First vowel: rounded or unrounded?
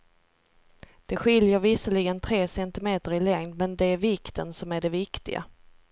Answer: unrounded